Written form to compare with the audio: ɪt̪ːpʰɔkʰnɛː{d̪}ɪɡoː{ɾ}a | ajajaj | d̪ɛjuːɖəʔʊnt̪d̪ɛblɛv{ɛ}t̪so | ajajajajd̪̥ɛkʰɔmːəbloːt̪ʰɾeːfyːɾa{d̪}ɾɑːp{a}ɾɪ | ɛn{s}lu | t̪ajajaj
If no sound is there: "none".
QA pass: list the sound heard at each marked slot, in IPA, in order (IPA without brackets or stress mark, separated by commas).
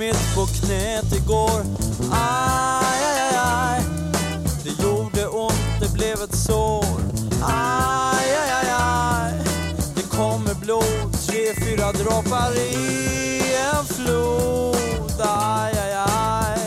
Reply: t̪, ɾ, ɛ, d̪, a, f